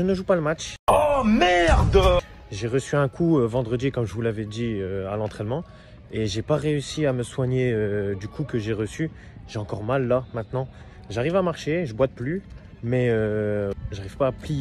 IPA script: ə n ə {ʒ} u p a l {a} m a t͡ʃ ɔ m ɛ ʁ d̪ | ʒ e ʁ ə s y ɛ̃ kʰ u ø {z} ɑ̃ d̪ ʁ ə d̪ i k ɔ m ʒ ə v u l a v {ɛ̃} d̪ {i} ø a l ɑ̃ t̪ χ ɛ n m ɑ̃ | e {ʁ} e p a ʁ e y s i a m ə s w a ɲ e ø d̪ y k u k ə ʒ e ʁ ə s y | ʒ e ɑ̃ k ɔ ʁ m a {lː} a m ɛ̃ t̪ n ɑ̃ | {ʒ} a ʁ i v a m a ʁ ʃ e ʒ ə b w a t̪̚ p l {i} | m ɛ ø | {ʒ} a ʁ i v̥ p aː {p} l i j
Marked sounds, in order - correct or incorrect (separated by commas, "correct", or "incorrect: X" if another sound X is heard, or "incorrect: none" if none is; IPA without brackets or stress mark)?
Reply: correct, incorrect: ə, incorrect: v, incorrect: ɛ, correct, incorrect: ʒ, correct, correct, incorrect: y, correct, correct